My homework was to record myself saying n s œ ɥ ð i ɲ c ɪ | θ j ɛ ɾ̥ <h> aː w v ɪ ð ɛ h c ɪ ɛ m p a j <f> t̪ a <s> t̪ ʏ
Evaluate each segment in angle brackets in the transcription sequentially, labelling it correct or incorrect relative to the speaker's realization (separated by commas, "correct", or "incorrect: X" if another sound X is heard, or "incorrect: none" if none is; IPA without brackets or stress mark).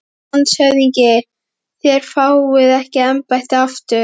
incorrect: f, incorrect: h, incorrect: f